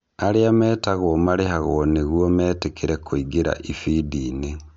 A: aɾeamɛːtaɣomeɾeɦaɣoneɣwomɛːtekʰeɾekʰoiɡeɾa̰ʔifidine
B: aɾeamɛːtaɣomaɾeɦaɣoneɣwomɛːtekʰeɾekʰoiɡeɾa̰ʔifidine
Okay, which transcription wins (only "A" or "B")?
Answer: B